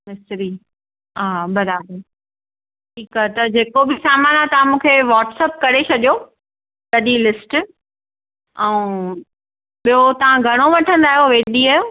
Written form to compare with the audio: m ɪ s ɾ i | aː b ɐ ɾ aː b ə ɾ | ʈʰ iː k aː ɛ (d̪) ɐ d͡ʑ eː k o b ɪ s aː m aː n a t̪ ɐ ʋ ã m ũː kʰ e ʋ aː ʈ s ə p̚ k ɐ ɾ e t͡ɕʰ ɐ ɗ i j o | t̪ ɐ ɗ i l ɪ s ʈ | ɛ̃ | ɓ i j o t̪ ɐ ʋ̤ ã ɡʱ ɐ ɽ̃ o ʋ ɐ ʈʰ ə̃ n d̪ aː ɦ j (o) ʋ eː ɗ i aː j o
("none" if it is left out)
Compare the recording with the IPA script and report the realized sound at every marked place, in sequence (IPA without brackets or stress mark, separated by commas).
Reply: t̪, o